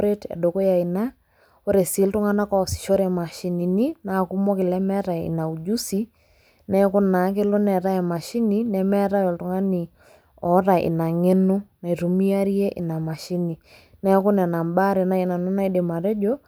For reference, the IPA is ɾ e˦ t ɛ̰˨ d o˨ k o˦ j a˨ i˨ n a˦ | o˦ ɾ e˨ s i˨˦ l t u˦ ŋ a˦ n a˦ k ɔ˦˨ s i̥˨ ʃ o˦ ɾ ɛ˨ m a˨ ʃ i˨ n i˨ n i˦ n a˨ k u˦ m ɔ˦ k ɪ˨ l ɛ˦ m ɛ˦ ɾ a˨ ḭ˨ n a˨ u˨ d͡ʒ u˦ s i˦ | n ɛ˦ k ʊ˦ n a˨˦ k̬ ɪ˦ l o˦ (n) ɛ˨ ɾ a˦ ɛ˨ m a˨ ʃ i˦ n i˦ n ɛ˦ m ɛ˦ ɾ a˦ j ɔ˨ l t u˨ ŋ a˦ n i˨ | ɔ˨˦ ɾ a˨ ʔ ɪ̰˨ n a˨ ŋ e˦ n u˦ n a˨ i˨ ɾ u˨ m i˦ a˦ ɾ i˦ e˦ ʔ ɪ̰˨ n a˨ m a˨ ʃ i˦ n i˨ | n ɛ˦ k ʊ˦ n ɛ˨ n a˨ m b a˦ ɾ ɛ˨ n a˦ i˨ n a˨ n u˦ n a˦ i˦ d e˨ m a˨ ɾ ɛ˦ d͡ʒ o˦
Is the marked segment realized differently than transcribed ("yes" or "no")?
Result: no